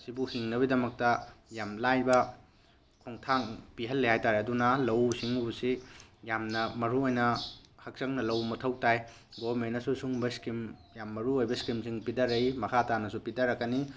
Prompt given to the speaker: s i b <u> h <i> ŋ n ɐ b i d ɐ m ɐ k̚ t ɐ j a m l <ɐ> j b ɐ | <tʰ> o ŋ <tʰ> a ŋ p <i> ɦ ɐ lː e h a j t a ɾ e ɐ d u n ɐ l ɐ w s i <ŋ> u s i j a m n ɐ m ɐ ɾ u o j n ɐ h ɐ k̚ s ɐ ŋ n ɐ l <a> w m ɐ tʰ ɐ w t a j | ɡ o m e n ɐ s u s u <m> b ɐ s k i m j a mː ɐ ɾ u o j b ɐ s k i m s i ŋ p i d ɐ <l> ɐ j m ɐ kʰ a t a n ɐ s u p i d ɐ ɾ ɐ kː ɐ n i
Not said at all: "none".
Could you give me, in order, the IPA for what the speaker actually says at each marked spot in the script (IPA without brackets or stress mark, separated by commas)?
u, i, a, kʰ, tʰ, i, ŋ, ɐ, ŋ, ɾ